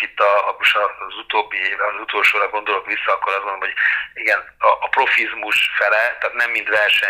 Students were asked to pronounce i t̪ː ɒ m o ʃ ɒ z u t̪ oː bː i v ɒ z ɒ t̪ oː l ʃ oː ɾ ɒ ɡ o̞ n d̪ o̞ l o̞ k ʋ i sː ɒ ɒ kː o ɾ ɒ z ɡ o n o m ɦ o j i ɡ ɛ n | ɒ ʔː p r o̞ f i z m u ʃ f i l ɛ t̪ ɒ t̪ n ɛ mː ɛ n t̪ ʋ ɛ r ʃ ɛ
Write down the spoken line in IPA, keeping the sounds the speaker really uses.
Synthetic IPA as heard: i t̪ː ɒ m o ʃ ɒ z u t̪ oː bː i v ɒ z u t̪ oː l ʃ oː ɾ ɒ ɡ o̞ n d̪ o̞ l o̞ k ʋ i sː ɒ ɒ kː o ɾ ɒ z ɡ o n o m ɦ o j i ɡ ɛ n | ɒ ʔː p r o̞ f i z m u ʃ f ɛ l ɛ t̪ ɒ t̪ n ɛ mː i n t̪ ʋ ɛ r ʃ ɛ